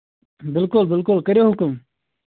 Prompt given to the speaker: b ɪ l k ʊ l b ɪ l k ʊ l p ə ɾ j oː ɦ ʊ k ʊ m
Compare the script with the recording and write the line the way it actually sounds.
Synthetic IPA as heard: b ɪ l k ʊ l b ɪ l k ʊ l k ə ɾ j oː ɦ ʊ k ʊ m